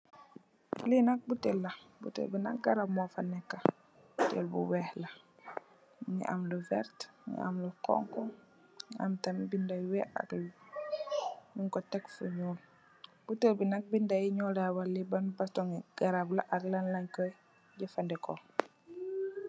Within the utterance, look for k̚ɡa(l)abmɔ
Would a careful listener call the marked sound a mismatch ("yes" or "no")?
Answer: yes